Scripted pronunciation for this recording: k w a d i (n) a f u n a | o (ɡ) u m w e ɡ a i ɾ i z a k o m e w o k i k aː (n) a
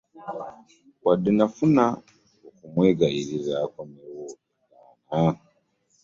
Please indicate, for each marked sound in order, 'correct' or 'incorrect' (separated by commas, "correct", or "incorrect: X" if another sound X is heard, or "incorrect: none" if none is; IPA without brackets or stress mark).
correct, incorrect: k, correct